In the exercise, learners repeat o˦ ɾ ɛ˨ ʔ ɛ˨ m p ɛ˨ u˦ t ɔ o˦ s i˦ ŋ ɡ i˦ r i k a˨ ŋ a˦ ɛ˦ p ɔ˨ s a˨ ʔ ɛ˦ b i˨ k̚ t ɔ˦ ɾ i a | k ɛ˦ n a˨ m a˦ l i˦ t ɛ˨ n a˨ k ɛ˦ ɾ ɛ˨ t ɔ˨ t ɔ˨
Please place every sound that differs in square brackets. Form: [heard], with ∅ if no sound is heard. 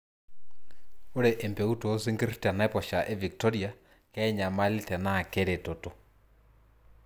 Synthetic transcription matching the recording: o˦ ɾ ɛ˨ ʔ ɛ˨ m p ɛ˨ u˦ t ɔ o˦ s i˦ ŋ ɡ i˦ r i [t] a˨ [n] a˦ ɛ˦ p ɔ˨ [ʃ] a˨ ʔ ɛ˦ [v] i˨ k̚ t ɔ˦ ɾ i a | k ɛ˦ [ɲ] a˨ m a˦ l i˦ t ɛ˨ n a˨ k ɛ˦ ɾ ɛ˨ t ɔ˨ t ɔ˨